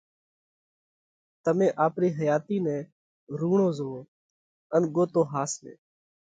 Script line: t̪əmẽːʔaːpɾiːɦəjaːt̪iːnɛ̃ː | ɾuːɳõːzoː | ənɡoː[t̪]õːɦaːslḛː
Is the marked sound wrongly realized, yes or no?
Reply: no